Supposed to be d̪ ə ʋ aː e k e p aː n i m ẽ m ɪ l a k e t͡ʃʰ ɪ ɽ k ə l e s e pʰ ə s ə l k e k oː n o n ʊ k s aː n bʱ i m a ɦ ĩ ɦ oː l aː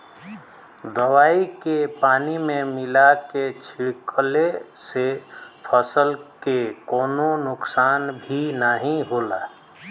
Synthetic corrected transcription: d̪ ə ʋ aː i k e p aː n i m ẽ m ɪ l a k e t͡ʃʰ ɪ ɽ k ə l e s e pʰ ə s ə l k e k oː n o n ʊ k s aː n bʱ i n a ɦ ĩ ɦ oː l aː